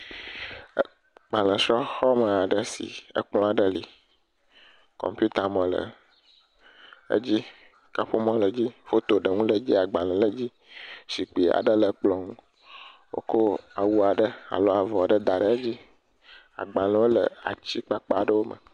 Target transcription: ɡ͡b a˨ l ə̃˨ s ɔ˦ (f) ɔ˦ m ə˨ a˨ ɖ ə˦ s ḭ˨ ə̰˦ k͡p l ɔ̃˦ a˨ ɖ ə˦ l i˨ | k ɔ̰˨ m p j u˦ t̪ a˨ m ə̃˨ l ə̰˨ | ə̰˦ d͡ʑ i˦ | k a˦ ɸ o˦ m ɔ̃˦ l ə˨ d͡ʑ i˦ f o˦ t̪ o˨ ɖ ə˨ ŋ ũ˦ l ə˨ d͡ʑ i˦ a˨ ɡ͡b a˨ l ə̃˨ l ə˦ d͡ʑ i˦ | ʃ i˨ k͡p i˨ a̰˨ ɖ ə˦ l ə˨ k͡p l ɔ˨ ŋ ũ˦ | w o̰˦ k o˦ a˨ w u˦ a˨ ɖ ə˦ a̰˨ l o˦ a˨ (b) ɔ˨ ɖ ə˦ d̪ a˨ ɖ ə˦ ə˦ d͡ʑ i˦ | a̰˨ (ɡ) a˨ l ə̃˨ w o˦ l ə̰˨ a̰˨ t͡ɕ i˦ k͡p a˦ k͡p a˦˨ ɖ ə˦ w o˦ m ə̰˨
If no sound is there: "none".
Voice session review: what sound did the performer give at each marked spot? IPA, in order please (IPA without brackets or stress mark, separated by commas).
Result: x, v, ɡ͡b